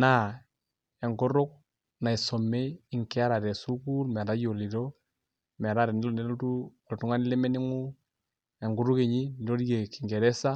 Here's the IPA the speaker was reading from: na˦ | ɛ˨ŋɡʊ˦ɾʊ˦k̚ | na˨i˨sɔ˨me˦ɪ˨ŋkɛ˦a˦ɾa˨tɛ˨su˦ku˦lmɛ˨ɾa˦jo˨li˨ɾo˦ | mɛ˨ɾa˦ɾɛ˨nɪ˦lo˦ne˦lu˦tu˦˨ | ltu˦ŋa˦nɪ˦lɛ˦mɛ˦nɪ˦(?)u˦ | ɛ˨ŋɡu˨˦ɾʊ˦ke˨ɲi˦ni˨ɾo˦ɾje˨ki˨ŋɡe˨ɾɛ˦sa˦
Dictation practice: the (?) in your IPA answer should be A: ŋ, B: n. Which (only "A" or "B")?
A